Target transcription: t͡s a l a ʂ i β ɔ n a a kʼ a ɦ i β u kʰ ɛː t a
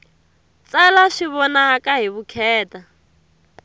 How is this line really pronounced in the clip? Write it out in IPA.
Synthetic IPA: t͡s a l a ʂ i β ɔ n a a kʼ a ɦ i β u kʰ ɛː t a